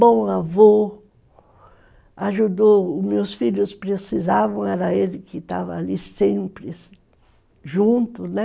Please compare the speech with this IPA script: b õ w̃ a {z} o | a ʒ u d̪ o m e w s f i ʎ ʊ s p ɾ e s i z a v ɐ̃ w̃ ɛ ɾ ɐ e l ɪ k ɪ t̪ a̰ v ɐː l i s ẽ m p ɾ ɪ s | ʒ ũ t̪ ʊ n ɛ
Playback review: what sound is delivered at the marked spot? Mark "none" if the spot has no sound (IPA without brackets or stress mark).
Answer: v